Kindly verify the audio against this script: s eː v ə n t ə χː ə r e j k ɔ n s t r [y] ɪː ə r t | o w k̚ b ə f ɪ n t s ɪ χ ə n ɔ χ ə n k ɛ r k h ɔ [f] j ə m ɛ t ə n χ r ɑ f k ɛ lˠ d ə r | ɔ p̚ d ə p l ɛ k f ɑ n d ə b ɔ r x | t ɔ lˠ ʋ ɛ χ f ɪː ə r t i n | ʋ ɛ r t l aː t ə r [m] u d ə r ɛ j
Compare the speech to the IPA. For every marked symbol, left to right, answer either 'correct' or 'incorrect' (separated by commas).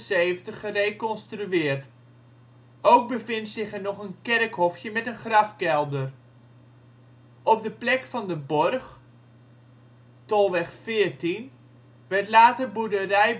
correct, correct, incorrect